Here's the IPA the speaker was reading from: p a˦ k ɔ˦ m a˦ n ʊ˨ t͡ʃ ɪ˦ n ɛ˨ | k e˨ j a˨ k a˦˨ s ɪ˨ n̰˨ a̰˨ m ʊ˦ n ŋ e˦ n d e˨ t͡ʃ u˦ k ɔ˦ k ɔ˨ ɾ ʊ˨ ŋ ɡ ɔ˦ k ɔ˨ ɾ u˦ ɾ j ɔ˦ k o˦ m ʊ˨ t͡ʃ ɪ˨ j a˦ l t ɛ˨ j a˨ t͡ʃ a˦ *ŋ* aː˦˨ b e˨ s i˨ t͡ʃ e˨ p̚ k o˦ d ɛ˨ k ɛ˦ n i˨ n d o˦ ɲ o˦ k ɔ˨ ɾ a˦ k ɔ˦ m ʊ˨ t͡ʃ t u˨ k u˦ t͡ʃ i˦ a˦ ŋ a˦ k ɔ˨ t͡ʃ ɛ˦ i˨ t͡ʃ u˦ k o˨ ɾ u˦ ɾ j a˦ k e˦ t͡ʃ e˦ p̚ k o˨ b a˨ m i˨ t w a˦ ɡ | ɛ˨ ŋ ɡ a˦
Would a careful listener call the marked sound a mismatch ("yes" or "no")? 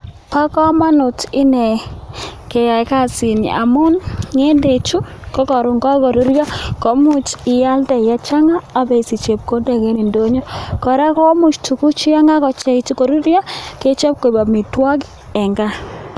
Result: no